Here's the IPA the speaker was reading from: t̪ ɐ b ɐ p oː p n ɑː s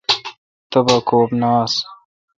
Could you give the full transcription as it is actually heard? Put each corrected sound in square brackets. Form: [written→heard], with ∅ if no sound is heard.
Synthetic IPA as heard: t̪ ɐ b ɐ [p→k] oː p n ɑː s

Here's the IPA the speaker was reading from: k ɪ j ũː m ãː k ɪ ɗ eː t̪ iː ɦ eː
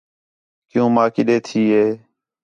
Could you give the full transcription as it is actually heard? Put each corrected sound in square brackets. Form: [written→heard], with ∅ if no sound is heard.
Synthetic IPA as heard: k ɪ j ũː m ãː k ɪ ɗ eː [t̪→t̪ʰ] iː ɦ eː

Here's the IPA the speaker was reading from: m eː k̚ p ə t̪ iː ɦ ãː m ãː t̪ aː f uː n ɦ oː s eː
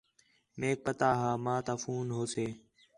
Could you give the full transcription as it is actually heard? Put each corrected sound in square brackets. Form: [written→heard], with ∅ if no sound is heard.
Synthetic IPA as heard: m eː k̚ p ə t̪ [iː→aː] ɦ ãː m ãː t̪ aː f uː n ɦ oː s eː

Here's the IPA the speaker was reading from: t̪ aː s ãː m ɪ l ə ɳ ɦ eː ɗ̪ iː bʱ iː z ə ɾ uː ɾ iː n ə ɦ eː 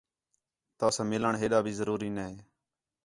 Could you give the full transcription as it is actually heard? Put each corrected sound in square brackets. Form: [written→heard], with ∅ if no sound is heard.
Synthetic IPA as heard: t̪ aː s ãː m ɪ l ə ɳ ɦ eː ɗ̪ [iː→aː] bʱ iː z ə ɾ uː ɾ iː n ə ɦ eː

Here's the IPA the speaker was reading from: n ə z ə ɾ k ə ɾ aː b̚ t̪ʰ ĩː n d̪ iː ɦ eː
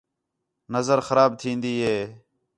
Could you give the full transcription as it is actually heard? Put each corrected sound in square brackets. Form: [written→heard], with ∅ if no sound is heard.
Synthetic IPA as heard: n ə z ə ɾ [k→x] ə ɾ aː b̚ t̪ʰ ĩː n d̪ iː ɦ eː

